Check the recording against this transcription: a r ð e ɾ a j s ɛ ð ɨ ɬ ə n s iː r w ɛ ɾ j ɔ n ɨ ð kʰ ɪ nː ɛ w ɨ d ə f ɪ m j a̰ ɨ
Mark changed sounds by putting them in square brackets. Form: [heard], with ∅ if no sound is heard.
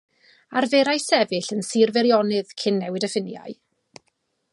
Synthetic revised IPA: a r [v] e ɾ a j s ɛ [v] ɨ ɬ ə n s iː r [v] ɛ ɾ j ɔ n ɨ ð kʰ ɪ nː ɛ w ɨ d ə f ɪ [n] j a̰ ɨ